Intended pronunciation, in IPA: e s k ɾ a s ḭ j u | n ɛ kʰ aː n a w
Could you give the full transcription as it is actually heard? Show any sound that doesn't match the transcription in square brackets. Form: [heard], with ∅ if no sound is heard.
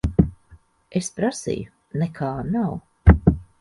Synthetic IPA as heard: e s [p] ɾ a s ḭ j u | n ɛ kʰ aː n a w